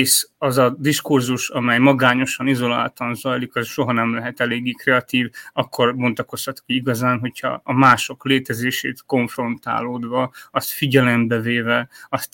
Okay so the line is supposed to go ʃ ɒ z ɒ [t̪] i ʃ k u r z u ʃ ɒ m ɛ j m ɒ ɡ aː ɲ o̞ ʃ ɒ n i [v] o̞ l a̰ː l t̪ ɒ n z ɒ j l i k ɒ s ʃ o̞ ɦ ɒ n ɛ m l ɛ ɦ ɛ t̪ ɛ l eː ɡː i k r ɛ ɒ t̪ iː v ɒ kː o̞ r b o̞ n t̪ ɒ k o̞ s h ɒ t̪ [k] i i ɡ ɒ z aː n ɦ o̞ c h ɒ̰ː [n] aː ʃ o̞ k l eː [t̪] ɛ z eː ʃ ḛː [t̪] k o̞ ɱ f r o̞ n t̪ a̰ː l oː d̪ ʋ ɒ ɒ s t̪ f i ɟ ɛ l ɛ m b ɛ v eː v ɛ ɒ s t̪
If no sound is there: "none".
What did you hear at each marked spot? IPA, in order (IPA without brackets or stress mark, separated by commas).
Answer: d̪, z, k, m, t̪, t̪